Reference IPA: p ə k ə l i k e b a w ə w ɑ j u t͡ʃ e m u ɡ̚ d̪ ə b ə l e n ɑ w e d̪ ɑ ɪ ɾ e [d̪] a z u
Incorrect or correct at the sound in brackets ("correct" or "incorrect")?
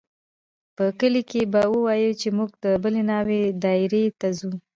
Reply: incorrect